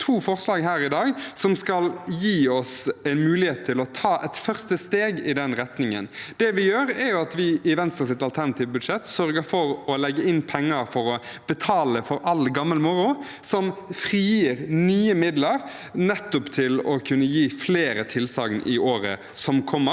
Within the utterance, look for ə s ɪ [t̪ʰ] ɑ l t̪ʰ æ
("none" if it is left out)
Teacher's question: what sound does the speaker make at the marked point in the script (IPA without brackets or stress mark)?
t̪